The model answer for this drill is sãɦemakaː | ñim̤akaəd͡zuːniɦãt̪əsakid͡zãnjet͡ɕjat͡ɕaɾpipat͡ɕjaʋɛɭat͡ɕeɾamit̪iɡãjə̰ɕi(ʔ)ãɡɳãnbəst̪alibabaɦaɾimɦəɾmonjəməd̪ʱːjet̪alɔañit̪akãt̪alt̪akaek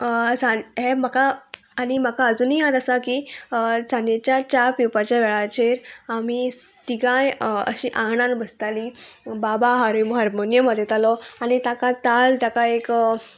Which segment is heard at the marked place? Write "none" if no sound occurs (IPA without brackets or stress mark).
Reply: ʔ